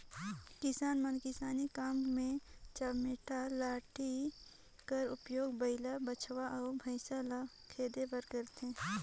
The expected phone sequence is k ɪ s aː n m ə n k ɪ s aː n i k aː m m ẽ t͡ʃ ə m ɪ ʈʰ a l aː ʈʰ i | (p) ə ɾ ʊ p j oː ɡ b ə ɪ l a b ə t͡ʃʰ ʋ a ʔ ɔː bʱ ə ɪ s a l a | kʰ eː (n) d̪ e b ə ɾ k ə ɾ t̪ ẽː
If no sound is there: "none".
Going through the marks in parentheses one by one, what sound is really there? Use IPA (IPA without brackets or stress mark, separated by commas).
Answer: k, none